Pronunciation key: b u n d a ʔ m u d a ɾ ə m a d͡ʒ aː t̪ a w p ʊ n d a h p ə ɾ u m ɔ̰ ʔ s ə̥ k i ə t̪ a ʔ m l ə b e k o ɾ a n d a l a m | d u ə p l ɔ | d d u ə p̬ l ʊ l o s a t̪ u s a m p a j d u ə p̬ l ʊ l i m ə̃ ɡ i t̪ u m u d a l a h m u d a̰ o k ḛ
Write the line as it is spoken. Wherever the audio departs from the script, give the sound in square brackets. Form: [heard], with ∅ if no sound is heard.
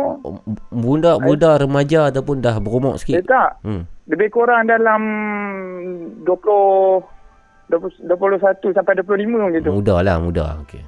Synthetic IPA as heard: b u n d a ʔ [b] u d a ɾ ə m a d͡ʒ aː t̪ a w p ʊ n d a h [b] ə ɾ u m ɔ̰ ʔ s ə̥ k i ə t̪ a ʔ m l ə b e k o ɾ a [ŋ] d a l a m | d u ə p l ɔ | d d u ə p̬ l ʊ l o s a t̪ u s a m p a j d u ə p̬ l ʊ l i m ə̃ ɡ i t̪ u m u d a l a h m u d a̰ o k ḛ